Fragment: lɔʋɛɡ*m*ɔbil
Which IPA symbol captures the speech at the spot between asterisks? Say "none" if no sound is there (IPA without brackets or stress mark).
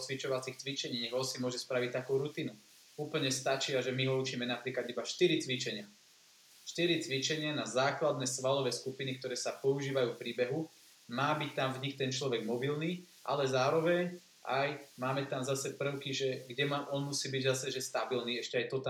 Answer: m